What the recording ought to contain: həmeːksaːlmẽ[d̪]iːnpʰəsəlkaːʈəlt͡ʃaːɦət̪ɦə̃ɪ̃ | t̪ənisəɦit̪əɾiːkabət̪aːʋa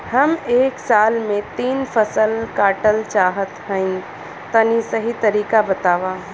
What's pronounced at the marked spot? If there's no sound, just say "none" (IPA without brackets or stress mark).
t̪